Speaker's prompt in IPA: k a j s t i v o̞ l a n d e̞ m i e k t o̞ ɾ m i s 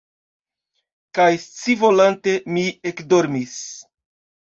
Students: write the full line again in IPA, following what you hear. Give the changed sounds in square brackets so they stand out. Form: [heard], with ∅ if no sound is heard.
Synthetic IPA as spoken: k a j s [t͡s] i v o̞ l a n [t] e̞ m i e k [d] o̞ ɾ m i s